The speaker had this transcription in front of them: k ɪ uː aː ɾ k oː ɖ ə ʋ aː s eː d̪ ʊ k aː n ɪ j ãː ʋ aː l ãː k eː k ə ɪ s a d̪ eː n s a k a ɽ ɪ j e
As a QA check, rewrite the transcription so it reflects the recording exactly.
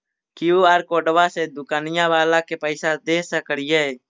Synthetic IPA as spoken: k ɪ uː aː ɾ k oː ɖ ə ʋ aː s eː d̪ ʊ k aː n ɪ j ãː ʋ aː l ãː k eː p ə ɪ s a d̪ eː s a k ə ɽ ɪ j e